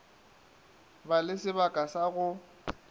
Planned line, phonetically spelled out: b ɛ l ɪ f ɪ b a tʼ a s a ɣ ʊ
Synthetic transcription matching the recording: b a l ɪ s ɪ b a kʼ a s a ɣ ʊ